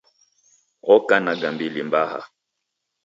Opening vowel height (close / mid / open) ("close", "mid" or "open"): mid